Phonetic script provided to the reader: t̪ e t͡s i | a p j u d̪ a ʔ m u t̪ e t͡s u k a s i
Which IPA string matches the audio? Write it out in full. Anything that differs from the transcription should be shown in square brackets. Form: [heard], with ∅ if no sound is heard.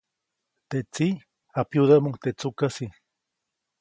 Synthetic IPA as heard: t̪ e t͡s i | a p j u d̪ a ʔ m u t̪ e t͡s u k a s i